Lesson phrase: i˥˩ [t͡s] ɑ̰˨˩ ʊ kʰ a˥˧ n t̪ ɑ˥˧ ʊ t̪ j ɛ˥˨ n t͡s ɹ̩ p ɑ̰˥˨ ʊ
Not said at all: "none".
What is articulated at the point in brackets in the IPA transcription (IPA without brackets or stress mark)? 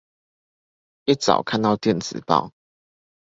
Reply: t͡s